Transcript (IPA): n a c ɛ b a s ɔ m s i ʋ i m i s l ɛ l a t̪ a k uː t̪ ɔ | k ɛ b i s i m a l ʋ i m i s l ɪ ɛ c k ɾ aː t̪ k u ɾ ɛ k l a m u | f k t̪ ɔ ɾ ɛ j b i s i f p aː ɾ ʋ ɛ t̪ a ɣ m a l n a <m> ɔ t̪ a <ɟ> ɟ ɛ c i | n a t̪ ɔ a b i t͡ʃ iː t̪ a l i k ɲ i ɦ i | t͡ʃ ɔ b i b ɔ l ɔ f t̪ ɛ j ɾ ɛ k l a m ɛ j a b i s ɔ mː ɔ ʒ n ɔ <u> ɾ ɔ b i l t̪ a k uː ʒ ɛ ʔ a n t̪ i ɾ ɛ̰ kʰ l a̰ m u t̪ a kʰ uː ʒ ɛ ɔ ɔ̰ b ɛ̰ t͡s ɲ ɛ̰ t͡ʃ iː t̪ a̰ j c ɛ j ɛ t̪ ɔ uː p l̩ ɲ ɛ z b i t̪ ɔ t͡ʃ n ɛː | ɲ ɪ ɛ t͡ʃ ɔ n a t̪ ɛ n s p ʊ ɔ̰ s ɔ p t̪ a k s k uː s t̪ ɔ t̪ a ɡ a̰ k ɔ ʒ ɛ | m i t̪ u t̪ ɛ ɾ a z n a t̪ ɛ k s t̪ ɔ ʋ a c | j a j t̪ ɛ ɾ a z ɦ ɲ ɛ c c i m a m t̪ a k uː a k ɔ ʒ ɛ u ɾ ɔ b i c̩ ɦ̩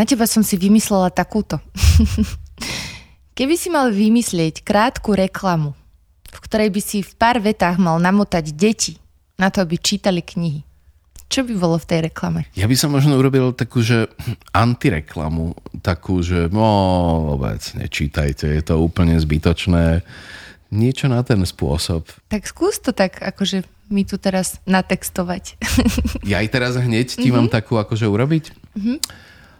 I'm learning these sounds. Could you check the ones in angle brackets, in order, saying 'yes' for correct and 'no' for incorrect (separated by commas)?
yes, yes, yes